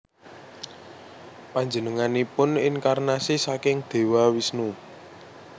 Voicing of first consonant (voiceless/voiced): voiceless